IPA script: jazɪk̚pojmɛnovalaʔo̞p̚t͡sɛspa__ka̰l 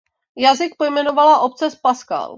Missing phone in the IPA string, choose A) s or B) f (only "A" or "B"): A